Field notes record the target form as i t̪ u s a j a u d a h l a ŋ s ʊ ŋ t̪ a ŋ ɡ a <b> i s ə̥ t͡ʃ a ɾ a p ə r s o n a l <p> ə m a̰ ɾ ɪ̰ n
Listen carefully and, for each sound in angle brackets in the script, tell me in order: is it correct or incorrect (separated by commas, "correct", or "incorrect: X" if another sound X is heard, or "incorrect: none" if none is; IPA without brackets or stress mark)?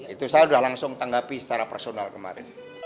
incorrect: p, incorrect: k